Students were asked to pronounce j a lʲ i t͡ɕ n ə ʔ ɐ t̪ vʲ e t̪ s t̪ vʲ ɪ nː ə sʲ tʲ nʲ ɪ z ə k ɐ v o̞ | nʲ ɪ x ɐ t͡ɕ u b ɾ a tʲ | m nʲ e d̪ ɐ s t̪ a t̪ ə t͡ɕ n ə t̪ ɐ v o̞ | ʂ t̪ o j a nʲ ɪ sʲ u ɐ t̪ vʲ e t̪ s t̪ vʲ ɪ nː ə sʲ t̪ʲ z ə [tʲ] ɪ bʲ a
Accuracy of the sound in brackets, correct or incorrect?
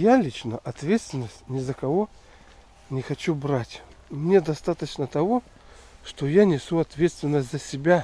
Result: incorrect